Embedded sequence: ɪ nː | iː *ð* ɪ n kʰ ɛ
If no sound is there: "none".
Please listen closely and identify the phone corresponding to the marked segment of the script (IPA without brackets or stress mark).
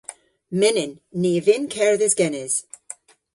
v